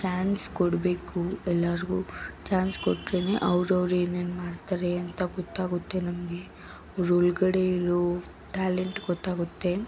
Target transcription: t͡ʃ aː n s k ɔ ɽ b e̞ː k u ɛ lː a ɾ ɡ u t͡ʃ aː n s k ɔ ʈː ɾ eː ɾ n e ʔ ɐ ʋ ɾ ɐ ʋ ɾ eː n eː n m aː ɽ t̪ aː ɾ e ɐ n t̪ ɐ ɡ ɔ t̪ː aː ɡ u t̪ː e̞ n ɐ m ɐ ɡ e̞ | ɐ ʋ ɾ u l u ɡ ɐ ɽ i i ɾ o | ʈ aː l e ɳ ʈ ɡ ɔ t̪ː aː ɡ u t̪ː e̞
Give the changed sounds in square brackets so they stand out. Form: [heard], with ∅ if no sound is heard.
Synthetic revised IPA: t͡ʃ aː n s k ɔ ɽ b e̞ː k u ɛ lː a ɾ ɡ u t͡ʃ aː n s k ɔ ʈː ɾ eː [∅] n e ʔ ɐ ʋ ɾ ɐ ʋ ɾ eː n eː n m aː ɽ t̪ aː ɾ e ɐ n t̪ ɐ ɡ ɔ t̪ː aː ɡ u t̪ː e̞ n ɐ m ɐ ɡ e̞ | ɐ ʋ ɾ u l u ɡ ɐ ɽ [e] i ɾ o | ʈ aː l e ɳ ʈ ɡ ɔ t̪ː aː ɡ u t̪ː e̞